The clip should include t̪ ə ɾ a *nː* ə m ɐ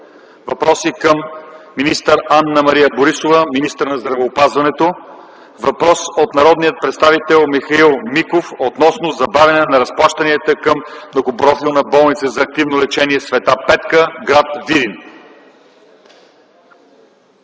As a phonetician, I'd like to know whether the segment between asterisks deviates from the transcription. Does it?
no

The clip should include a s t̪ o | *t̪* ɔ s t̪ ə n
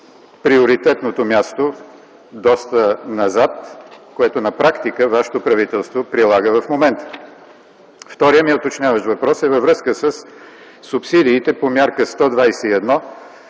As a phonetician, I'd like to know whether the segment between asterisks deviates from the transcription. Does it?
yes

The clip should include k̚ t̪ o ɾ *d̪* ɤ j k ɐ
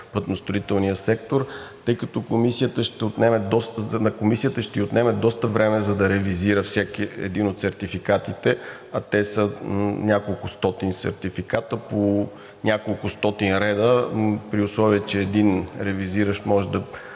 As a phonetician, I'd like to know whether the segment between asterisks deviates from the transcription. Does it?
yes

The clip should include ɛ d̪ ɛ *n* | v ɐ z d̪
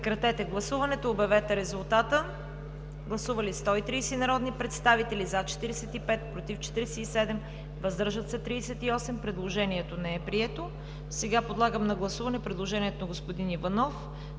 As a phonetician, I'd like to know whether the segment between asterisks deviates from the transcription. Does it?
yes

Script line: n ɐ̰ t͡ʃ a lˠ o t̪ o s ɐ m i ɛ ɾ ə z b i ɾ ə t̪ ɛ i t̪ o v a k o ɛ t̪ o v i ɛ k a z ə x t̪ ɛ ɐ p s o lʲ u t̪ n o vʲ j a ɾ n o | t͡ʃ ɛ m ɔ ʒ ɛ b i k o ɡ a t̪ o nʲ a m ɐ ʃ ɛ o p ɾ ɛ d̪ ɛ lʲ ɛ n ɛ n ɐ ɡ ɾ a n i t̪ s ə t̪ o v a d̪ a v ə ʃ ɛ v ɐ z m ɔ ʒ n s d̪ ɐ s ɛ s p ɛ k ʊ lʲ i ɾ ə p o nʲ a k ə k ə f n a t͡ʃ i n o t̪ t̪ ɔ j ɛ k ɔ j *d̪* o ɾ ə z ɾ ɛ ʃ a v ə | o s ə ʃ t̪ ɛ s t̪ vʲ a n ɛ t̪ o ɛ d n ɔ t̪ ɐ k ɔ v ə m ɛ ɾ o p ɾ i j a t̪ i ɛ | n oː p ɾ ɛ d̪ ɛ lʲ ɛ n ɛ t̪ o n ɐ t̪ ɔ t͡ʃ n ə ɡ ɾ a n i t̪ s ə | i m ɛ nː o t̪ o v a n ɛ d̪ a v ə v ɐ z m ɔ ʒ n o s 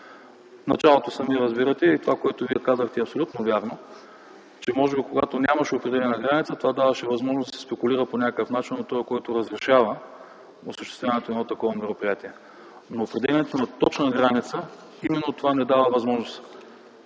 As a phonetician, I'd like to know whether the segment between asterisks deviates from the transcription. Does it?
yes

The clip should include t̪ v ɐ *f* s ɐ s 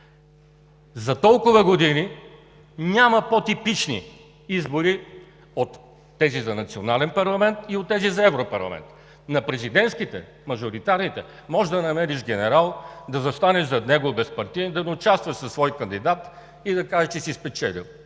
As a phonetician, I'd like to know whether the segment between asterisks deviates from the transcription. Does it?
yes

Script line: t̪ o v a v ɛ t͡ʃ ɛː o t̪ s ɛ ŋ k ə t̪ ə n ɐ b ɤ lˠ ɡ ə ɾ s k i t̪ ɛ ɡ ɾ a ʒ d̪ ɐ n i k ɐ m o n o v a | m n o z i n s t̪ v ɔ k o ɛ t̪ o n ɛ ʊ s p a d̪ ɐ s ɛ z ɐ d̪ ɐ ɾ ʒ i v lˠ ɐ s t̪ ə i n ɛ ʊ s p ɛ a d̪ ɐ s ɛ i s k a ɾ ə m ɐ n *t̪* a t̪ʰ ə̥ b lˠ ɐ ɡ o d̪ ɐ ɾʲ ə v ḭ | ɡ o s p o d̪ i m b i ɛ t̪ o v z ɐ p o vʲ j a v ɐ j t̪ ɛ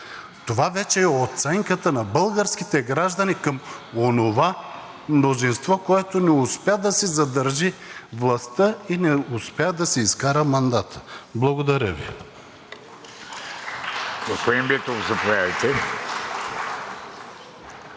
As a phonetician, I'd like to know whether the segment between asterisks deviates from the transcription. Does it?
yes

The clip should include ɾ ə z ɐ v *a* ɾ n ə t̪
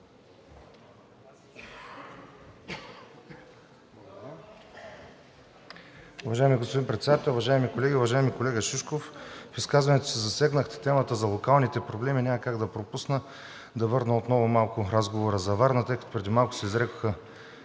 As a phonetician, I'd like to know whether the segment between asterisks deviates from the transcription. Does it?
no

